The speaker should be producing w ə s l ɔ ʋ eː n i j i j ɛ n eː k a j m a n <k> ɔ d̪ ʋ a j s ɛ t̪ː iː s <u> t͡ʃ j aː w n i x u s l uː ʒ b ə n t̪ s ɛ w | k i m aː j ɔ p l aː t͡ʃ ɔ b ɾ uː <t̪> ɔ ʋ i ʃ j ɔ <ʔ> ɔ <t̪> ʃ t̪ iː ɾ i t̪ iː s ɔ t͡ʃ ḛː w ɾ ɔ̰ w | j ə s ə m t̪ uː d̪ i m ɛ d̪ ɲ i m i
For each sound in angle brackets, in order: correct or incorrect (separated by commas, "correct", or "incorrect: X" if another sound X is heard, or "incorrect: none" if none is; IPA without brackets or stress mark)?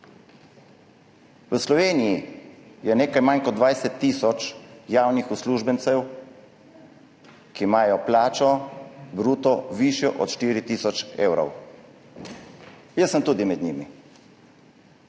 correct, incorrect: ɔ, correct, correct, correct